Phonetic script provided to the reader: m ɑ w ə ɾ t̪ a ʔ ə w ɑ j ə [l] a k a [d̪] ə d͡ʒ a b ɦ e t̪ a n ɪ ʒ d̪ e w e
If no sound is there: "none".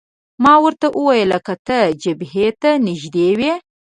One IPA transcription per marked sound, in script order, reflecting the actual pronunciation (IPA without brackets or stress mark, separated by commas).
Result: l, t̪